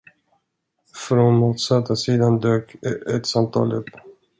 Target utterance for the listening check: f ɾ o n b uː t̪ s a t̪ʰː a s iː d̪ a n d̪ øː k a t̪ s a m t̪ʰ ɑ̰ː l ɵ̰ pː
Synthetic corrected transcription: f ɾ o n m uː t̪ s a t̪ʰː a s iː d̪ a n d̪ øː k ɛ t̪ s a m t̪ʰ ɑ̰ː l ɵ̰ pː